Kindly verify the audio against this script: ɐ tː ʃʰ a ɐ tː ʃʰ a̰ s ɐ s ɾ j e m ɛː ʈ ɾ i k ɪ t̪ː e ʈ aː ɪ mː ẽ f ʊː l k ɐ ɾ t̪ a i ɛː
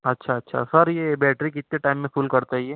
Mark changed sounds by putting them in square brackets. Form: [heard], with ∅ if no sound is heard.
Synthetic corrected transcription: ɐ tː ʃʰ a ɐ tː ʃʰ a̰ s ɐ [∅] ɾ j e [b] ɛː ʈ ɾ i k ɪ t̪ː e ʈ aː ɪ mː ẽ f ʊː l k ɐ ɾ t̪ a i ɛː